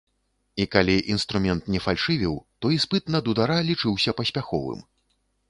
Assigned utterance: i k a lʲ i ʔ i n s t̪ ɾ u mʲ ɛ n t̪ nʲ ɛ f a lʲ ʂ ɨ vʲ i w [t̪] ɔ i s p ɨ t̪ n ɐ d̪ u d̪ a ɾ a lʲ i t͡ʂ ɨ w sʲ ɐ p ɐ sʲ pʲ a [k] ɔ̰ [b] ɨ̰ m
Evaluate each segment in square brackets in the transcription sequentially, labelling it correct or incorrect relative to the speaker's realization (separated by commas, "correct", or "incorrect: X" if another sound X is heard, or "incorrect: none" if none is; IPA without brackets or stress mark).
correct, incorrect: x, incorrect: v